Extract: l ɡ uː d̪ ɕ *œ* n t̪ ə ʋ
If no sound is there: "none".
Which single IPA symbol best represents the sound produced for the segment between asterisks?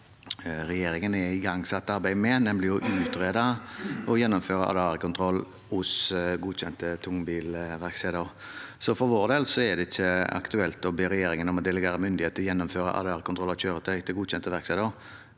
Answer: ɛ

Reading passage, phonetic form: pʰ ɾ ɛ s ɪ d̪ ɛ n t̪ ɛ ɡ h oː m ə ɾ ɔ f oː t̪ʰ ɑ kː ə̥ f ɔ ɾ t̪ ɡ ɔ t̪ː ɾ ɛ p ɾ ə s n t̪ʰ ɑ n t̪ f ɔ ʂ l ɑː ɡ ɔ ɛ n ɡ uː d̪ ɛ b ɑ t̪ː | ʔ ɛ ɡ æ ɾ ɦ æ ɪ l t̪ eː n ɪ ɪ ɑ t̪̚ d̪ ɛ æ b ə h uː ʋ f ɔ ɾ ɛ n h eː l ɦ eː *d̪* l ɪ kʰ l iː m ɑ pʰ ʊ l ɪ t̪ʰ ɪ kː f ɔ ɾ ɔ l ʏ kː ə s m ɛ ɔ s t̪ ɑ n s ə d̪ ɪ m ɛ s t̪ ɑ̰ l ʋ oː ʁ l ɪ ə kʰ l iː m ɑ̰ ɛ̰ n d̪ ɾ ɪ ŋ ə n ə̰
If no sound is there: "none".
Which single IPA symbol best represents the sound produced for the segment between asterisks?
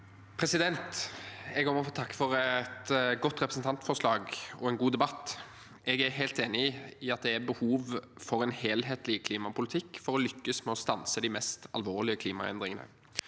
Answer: t̪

